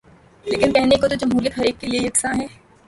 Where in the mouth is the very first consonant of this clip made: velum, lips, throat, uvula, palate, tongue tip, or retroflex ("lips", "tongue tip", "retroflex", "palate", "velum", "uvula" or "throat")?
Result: tongue tip